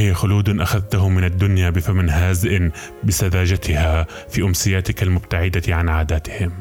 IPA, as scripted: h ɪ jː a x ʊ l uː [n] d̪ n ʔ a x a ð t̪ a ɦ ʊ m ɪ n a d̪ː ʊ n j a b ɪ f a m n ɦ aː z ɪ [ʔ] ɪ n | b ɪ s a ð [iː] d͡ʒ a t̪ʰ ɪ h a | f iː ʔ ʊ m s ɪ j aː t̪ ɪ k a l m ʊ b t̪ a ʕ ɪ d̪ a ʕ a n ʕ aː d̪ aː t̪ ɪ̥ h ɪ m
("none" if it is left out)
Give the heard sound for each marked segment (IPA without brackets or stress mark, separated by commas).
none, ʔ, aː